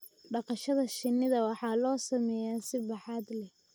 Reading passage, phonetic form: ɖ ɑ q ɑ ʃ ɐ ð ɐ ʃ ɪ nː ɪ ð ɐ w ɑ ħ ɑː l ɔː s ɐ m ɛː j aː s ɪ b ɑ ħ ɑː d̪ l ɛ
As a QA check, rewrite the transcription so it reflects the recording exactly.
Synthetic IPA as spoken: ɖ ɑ q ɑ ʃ ɐ ð ɐ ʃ ɪ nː ɪ ð ɐ w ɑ ħ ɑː l ɔː s ɐ m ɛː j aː s ɪ b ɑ ħ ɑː d̪ l ɛ